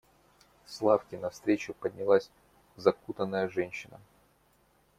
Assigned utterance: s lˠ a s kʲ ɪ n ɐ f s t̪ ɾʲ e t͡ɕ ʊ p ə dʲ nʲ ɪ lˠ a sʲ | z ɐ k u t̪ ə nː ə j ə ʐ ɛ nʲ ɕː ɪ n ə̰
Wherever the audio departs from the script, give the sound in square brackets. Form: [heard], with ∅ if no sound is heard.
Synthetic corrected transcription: s lˠ a [f] kʲ ɪ n ɐ f s t̪ ɾʲ e t͡ɕ ʊ p ə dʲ nʲ ɪ lˠ a sʲ | z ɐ k u t̪ ə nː ə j ə ʐ ɛ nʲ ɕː ɪ n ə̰